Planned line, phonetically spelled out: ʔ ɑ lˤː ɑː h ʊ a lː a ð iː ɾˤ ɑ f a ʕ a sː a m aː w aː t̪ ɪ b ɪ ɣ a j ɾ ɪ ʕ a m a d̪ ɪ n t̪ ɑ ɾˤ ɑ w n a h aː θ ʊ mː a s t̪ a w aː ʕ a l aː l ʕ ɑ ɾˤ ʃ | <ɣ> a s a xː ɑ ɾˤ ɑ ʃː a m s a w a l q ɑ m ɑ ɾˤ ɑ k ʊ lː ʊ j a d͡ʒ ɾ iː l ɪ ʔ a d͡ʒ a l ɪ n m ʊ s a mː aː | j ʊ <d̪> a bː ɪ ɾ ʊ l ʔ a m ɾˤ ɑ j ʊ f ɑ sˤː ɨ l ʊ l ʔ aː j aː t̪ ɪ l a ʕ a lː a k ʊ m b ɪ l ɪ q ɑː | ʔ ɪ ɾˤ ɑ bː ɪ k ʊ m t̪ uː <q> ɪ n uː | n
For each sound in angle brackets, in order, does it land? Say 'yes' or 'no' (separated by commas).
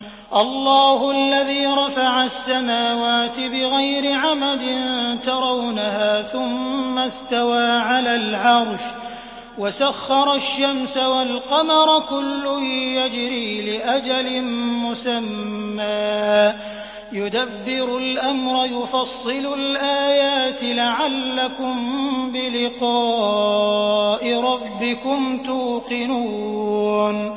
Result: no, yes, yes